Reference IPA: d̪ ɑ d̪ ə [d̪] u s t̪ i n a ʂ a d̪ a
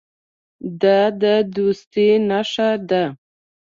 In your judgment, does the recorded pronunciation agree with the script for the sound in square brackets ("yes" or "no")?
yes